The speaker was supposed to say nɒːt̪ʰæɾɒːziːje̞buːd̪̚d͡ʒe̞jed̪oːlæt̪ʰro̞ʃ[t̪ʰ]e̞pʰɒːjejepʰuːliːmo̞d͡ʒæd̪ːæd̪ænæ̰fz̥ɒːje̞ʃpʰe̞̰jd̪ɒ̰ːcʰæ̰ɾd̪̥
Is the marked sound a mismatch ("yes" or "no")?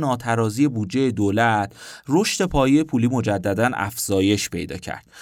yes